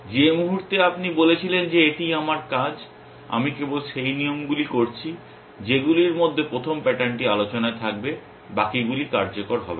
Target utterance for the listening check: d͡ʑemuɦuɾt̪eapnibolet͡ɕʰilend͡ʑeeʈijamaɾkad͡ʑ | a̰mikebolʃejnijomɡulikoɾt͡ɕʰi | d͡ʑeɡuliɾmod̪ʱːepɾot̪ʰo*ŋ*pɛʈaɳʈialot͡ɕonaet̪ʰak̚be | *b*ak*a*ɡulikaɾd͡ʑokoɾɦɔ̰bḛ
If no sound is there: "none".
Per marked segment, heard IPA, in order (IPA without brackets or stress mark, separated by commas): m, b, i